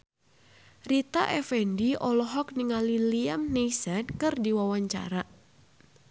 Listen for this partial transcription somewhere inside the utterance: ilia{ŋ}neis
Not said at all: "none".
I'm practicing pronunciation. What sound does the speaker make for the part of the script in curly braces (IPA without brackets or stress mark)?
m